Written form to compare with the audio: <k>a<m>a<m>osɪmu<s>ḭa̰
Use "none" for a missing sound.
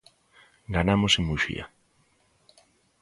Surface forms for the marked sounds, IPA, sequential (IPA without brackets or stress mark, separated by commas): ɡ, n, m, ʃ